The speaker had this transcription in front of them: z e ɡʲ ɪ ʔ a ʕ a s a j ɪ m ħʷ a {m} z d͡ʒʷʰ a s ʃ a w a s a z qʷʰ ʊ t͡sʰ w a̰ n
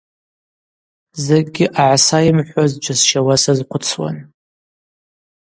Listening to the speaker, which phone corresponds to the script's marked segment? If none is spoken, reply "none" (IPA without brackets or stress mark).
none